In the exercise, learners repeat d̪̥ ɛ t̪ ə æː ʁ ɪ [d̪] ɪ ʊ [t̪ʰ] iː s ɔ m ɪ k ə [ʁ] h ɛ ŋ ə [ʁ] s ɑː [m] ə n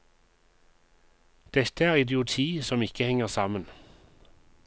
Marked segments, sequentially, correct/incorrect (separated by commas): correct, correct, incorrect, correct, correct